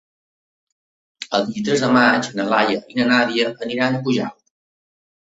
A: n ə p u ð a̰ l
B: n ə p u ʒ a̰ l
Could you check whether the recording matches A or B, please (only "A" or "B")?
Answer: B